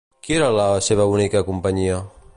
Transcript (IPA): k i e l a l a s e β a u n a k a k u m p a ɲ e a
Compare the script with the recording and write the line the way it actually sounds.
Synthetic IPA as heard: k i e ɾ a l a s e β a u n i k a k u m p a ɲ i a